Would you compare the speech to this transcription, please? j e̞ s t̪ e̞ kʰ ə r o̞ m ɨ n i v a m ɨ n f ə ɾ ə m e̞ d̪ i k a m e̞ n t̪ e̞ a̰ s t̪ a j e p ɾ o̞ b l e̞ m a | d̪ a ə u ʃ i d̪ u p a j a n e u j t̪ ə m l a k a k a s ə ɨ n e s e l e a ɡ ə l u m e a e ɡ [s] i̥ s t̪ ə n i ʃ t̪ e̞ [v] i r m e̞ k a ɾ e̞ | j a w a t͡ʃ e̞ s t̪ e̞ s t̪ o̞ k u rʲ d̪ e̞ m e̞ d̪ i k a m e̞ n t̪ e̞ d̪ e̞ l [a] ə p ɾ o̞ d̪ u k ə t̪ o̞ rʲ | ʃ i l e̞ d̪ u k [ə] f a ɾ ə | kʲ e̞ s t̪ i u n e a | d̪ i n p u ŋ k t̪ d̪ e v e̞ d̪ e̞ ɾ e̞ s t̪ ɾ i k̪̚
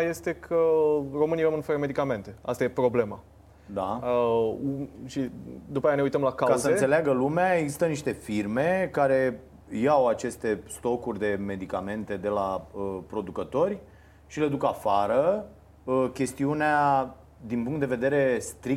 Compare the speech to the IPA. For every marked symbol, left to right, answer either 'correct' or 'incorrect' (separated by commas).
incorrect, incorrect, correct, incorrect